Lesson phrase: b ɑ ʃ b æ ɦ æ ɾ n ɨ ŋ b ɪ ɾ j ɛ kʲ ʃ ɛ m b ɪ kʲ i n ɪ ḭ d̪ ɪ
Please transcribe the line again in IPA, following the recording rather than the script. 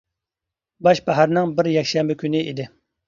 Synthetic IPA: b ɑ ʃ b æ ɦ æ ɾ n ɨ ŋ b ɪ ɾ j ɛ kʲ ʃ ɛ m b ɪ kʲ y n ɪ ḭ d̪ ɪ